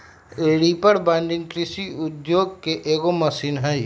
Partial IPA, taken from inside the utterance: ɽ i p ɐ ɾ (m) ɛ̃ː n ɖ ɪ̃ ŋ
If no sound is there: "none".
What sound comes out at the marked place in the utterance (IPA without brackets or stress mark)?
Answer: b